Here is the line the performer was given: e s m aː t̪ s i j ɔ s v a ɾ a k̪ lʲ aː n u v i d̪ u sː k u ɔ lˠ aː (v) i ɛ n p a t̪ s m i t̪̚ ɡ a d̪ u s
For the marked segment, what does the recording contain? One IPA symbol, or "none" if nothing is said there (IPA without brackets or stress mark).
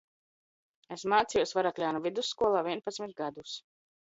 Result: v